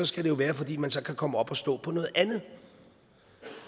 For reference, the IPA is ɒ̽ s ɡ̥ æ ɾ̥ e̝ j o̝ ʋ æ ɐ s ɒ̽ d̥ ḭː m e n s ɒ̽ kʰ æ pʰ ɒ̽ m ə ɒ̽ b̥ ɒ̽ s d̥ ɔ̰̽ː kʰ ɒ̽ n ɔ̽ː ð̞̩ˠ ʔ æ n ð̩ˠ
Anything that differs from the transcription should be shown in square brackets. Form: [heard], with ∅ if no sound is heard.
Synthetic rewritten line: ɒ̽ s ɡ̥ æ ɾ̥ e̝ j o̝ ʋ [æː] ɐ [f] ɒ̽ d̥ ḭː m [æ] n s ɒ̽ kʰ æ [kʰ] ɒ̽ m ə ɒ̽ b̥ ɒ̽ s d̥ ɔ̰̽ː [pʰ] ɒ̽ n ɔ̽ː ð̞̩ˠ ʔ æ n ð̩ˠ